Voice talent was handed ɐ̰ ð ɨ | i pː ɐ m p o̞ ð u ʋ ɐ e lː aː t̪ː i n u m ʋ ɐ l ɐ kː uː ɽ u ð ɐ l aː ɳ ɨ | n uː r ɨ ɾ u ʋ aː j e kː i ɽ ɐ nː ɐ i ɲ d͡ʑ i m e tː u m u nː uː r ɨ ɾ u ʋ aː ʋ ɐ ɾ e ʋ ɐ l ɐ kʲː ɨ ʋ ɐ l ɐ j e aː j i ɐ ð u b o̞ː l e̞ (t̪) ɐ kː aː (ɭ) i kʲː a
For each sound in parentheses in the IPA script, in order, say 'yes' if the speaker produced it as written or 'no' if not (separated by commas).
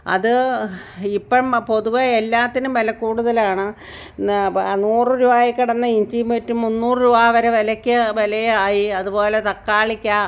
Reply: yes, yes